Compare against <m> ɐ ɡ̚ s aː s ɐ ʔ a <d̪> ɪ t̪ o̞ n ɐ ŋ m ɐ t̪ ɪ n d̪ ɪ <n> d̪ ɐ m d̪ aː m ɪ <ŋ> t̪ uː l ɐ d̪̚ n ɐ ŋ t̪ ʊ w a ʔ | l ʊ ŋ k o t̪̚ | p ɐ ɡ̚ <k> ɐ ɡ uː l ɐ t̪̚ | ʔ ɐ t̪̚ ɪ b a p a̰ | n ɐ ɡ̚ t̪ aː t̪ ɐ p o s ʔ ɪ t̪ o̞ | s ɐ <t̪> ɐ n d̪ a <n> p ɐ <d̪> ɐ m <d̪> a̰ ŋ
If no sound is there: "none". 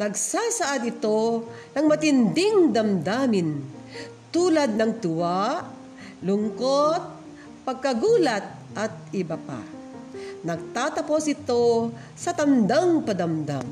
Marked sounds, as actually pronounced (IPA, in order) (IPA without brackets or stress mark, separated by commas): n, d̪, ŋ, n, k, t̪, ŋ, d̪, d̪